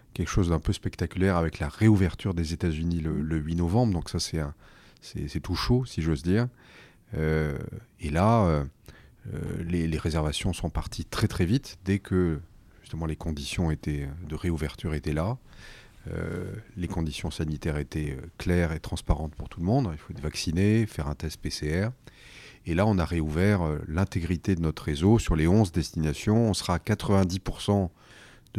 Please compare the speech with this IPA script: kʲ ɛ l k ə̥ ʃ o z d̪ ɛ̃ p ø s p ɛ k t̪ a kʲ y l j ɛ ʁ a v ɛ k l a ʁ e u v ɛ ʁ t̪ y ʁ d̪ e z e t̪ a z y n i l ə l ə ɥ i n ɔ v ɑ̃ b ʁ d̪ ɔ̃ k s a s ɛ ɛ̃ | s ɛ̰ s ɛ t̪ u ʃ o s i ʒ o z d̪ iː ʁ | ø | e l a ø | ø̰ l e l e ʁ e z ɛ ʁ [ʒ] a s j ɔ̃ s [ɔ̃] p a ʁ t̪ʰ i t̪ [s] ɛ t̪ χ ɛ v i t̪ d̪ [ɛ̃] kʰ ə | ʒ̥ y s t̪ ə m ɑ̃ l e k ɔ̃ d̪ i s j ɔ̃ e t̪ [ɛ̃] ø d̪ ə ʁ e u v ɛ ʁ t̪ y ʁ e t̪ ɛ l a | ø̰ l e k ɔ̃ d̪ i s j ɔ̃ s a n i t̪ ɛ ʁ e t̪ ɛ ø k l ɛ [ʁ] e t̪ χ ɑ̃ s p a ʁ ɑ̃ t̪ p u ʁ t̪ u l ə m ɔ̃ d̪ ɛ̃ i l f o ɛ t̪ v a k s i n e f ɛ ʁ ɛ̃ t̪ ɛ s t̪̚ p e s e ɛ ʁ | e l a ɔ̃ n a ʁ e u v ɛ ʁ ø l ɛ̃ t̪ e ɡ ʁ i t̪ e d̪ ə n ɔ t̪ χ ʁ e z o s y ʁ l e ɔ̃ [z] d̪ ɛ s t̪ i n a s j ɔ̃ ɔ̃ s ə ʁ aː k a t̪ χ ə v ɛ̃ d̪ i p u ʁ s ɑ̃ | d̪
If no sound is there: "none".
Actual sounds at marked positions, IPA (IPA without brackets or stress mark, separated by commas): v, ɔ̃, χ, ɛ, ɛ, ʁ, z